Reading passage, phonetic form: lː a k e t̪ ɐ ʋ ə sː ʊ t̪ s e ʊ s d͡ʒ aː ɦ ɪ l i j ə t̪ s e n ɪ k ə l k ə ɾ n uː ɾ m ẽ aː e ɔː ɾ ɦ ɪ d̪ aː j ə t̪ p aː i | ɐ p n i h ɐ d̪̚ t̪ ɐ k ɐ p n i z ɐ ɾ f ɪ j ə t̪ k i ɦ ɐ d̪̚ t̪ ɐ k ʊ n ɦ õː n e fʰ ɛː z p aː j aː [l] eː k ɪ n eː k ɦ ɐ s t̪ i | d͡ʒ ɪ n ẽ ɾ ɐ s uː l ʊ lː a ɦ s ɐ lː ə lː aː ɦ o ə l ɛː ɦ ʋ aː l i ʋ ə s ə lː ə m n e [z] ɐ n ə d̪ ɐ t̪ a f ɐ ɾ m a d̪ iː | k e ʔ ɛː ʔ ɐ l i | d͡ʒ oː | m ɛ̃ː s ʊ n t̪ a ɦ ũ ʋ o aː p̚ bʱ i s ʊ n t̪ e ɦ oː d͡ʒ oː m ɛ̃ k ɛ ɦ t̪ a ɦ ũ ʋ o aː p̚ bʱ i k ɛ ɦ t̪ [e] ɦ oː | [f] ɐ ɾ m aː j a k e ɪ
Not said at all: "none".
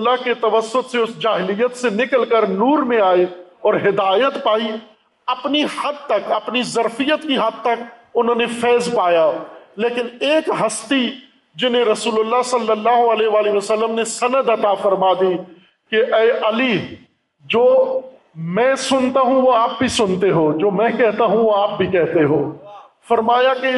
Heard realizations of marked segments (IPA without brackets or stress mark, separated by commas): l, s, e, f